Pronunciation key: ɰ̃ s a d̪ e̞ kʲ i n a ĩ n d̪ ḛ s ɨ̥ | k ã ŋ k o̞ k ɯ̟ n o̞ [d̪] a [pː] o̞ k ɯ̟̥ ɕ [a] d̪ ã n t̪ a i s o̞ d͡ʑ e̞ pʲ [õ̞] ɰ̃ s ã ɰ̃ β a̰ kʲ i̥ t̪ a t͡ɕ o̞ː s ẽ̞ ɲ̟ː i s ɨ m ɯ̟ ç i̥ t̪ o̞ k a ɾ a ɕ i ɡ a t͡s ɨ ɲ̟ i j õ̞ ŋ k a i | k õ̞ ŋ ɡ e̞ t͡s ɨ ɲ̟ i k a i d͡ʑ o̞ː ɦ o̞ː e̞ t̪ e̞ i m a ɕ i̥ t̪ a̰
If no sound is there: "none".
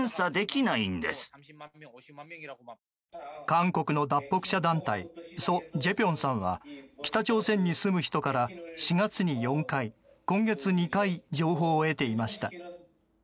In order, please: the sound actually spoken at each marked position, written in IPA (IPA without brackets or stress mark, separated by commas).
d̪, pː, a, õ̞